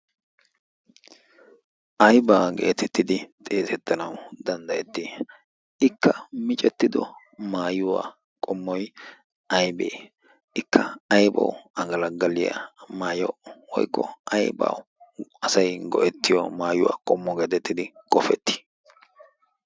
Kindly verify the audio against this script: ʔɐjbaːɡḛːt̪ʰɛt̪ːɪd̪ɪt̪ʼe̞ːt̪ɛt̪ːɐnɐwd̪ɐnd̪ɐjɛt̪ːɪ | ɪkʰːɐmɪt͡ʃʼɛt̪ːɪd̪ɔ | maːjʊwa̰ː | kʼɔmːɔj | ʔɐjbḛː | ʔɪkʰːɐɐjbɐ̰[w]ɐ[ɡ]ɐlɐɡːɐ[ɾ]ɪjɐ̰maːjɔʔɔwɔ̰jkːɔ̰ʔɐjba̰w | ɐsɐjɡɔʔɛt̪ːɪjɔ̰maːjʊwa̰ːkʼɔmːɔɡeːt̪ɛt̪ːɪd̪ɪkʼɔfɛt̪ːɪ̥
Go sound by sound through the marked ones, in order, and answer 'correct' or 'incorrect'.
correct, correct, incorrect: l

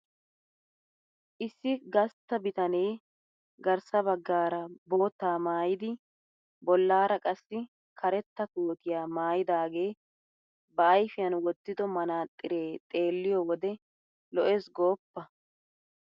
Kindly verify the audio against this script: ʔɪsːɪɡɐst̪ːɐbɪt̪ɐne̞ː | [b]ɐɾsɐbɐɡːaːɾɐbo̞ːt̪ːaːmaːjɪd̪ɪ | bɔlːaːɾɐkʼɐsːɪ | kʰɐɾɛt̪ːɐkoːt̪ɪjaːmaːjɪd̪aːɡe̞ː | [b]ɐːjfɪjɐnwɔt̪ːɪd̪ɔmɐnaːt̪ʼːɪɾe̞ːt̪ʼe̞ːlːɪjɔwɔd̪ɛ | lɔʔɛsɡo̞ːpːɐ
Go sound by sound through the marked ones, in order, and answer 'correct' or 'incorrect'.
incorrect: ɡ, correct

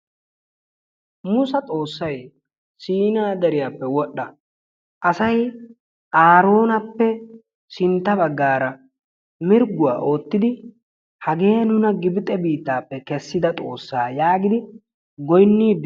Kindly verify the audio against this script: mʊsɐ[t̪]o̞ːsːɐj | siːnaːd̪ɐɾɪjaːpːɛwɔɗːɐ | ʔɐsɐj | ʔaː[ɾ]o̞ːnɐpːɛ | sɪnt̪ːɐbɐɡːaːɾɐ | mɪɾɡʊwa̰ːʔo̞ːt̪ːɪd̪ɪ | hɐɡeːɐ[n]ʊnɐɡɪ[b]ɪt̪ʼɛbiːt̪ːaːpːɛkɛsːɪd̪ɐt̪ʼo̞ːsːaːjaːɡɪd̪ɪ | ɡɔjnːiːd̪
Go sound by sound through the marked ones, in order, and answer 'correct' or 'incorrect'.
incorrect: t̪ʼ, correct, correct, correct

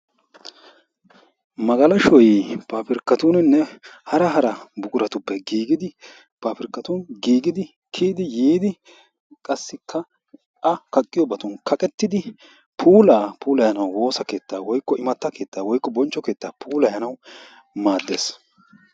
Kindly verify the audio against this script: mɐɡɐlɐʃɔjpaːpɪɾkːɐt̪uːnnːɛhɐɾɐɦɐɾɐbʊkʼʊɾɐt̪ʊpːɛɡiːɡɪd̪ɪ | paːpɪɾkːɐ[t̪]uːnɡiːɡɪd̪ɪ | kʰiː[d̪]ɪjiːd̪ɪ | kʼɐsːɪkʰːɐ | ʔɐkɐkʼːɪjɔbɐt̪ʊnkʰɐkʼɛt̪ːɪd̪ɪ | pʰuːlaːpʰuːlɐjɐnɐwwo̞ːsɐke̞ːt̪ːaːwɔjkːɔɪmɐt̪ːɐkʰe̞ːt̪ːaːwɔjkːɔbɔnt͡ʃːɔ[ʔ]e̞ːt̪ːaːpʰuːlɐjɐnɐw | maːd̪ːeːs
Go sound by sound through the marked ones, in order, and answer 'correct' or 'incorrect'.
correct, correct, incorrect: k

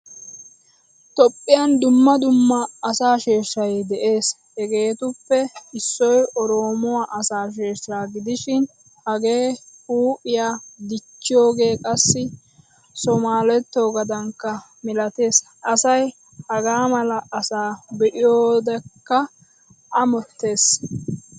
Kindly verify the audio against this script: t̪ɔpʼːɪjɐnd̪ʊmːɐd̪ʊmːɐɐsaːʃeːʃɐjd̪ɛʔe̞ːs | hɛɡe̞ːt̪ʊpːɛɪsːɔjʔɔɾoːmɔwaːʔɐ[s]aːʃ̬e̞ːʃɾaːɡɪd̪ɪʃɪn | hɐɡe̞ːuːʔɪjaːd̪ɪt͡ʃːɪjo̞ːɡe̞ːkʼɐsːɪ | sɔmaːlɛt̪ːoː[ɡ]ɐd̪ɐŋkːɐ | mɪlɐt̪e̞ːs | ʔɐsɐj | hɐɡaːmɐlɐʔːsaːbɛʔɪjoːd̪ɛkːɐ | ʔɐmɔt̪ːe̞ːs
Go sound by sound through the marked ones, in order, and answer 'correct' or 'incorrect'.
correct, correct

